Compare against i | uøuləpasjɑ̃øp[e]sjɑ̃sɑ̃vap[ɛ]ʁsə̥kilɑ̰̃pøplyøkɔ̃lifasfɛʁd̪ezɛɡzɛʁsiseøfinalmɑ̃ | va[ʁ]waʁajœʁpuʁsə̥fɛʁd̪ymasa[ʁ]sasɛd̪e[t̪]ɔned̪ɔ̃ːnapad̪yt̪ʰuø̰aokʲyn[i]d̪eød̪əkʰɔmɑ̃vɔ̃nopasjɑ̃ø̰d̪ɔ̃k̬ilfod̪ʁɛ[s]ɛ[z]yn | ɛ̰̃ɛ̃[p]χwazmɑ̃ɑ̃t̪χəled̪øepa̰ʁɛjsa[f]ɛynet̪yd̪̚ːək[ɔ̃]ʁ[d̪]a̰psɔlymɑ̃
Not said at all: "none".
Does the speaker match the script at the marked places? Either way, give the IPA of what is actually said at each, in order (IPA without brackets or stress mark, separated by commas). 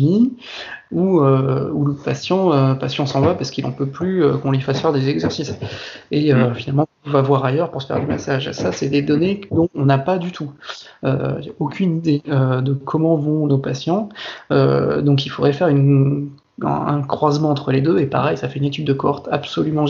a, a, v, ʒ, d̪, i, f, ʁ, k, f, ɔ, t̪